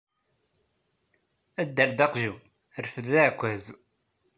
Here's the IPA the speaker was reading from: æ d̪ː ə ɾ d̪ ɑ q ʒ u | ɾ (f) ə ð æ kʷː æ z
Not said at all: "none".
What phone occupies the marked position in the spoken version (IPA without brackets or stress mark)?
f